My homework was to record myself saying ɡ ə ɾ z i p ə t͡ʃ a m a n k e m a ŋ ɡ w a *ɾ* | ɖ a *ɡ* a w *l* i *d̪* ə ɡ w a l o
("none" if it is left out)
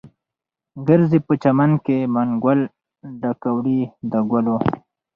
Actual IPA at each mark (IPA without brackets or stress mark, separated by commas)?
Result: l, k, ɽ, d̪